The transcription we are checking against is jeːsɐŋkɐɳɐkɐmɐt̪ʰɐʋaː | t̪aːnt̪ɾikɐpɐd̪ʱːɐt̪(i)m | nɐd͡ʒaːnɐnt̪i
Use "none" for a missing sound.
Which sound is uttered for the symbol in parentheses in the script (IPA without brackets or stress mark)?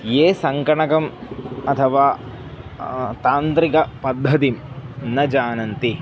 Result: i